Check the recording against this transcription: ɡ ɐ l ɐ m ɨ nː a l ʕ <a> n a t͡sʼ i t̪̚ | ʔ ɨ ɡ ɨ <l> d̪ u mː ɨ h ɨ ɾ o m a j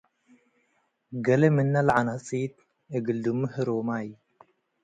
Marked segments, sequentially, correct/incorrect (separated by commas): correct, correct